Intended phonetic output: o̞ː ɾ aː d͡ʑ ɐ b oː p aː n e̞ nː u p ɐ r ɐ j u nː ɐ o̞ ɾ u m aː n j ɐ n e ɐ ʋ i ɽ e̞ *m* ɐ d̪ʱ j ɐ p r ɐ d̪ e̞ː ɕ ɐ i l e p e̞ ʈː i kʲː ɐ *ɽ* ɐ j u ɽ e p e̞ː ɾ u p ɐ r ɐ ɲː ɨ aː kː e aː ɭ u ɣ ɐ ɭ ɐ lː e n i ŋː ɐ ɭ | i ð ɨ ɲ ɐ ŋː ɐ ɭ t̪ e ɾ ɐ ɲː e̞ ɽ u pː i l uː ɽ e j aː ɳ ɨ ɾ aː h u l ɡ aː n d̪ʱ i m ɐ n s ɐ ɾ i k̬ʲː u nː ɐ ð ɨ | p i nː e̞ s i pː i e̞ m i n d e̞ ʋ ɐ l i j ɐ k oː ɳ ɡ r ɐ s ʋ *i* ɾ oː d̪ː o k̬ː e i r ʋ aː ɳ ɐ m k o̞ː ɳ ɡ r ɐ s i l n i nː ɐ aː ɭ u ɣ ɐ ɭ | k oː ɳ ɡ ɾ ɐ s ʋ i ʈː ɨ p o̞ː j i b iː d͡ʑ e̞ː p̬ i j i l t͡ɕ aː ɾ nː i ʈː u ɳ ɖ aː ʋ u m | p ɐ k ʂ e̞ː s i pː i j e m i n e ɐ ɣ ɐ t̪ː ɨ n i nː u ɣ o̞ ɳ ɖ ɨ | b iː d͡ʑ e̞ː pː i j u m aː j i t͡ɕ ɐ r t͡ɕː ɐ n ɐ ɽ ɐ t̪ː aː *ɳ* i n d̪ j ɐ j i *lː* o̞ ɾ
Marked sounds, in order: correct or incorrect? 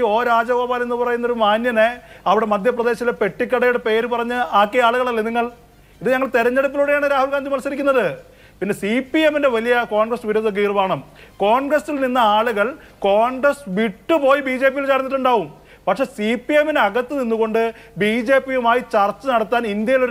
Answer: correct, correct, correct, incorrect, incorrect

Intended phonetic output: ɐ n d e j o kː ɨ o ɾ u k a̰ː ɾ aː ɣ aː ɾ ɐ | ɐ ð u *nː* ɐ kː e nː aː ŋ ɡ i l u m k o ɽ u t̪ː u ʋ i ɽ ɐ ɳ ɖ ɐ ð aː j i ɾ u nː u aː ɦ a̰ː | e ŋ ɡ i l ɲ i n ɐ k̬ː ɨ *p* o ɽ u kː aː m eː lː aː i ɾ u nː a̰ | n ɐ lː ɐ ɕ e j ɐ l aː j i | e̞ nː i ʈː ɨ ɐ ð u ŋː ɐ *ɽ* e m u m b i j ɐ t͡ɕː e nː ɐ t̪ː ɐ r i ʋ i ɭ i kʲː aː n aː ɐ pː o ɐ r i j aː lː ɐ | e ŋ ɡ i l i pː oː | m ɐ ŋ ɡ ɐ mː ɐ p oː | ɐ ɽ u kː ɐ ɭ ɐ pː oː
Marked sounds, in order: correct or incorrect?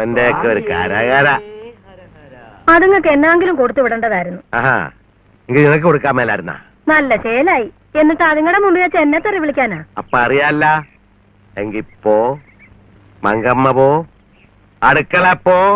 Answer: incorrect, incorrect, correct

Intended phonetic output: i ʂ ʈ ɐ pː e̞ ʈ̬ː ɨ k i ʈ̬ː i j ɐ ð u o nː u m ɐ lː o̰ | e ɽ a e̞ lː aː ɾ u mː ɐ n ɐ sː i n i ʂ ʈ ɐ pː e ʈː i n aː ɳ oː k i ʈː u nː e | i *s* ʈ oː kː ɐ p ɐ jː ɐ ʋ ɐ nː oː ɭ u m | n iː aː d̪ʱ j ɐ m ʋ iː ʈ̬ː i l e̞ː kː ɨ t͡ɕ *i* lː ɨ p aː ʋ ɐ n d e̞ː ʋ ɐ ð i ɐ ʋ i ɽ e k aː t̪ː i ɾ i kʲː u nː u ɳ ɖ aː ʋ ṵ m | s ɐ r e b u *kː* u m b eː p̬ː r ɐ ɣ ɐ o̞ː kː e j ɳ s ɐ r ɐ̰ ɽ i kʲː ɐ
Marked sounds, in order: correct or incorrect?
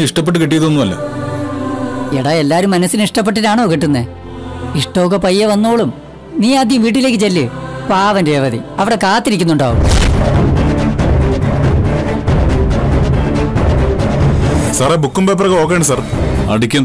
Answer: incorrect, incorrect, correct

